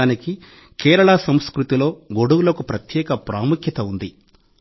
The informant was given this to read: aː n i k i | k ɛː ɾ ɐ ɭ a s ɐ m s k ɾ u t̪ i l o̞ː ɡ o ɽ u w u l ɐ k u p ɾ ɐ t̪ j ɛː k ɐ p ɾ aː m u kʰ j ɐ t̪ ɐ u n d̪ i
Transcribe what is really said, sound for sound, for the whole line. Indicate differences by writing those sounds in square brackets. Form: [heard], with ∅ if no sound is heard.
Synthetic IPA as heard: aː n i k i | k ɛː ɾ ɐ ɭ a s ɐ m s k ɾ u t̪ i l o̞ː ɡ o ɽ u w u l ɐ k u p ɾ ɐ t̪ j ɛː k ɐ p ɾ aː m u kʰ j ɐ t̪ ɐ u n d̪ i